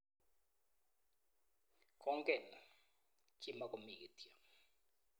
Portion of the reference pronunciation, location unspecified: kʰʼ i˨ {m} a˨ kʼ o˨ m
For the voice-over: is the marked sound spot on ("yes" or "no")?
yes